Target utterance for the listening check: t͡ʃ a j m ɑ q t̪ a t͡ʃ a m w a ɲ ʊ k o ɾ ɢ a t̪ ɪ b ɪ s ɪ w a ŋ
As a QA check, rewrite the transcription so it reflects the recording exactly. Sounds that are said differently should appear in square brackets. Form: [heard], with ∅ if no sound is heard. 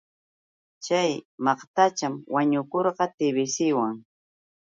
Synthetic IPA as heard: t͡ʃ a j m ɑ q t̪ a t͡ʃ a m w a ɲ ʊ k o ɾ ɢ [ɑ] t̪ ɪ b ɪ s ɪ w a ŋ